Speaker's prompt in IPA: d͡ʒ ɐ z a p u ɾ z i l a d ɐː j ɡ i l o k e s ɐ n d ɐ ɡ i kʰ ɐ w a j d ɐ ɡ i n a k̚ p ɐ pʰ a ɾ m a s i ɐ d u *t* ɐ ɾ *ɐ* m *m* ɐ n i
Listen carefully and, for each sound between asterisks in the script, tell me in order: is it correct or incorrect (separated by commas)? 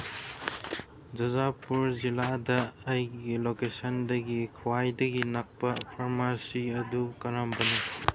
incorrect, incorrect, incorrect